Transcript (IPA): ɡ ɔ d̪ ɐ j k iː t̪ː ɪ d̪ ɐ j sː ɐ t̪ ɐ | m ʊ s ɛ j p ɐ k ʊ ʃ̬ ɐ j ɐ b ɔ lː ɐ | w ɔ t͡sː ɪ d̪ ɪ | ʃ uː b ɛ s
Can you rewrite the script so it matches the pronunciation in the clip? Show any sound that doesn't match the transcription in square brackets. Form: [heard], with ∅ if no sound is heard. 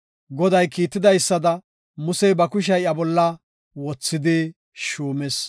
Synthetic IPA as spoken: ɡ ɔ d̪ ɐ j k iː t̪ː ɪ d̪ ɐ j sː ɐ [d̪] ɐ | m ʊ s ɛ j [b] ɐ k ʊ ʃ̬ ɐ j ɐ b ɔ lː ɐ | w ɔ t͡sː ɪ d̪ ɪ | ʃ uː [m] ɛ s